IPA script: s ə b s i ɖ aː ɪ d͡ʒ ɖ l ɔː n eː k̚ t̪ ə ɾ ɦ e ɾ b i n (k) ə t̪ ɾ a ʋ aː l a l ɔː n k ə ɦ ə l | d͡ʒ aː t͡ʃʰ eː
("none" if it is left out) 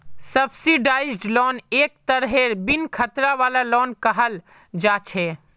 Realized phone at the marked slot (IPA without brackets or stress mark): kʰ